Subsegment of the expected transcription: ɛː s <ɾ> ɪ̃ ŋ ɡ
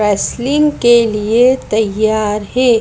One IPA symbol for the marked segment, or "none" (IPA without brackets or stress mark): l